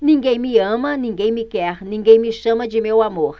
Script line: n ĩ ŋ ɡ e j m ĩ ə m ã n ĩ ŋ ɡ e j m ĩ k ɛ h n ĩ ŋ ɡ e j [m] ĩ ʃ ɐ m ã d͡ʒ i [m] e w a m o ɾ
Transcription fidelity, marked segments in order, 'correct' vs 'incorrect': correct, correct

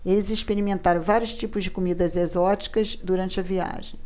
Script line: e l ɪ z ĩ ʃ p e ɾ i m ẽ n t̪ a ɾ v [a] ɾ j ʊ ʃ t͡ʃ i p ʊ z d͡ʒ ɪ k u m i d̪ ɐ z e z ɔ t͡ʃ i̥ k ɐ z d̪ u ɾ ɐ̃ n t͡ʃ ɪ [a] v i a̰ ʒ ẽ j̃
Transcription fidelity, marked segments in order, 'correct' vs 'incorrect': correct, incorrect

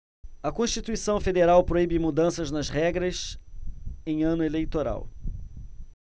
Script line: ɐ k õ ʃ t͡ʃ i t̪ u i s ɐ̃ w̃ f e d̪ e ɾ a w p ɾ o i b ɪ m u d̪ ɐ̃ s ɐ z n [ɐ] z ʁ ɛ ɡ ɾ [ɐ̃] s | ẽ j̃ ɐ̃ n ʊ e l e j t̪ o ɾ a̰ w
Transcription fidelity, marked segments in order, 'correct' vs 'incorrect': correct, incorrect

